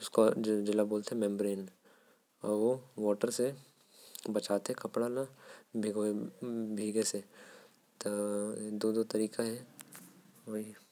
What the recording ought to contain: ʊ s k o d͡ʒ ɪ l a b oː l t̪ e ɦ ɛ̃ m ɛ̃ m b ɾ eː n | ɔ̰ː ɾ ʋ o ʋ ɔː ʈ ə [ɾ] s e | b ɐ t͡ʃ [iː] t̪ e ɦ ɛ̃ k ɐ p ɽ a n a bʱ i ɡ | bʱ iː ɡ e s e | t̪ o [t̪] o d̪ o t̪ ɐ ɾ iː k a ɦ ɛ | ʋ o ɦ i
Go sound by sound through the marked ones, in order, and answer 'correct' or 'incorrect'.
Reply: correct, incorrect: aː, incorrect: d̪

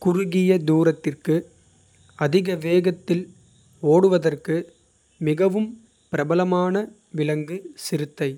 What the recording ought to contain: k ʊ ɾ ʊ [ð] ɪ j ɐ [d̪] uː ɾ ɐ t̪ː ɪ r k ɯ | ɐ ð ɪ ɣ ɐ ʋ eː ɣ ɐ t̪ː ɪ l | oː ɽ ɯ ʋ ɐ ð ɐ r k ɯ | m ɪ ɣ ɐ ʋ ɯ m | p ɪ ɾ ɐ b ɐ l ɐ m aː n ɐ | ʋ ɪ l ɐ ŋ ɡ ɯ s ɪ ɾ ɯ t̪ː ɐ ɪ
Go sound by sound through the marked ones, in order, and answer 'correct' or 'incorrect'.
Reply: incorrect: ɣ, correct

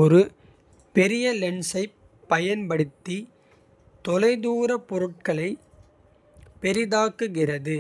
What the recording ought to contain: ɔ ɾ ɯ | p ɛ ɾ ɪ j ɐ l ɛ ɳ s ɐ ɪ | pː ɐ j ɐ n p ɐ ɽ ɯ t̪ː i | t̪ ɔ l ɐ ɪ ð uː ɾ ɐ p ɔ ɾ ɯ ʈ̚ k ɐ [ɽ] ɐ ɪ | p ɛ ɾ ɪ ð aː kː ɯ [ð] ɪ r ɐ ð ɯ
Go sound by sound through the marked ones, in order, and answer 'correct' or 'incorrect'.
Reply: incorrect: ɭ, incorrect: ɣ

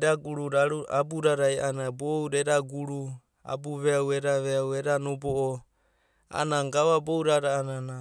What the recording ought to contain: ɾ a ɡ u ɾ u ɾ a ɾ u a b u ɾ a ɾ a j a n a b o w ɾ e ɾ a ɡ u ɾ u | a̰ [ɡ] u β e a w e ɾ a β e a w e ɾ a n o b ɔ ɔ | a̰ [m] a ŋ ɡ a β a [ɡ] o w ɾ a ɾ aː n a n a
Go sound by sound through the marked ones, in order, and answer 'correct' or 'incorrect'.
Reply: incorrect: b, incorrect: n, incorrect: b

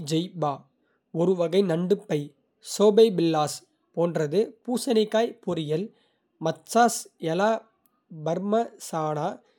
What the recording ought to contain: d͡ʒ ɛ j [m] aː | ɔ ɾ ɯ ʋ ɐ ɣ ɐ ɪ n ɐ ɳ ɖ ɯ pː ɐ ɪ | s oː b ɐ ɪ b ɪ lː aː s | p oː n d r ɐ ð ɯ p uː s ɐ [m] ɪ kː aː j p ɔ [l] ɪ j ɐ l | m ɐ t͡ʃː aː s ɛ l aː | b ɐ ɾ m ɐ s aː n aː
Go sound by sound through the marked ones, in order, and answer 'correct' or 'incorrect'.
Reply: incorrect: b, incorrect: n, incorrect: ɾ

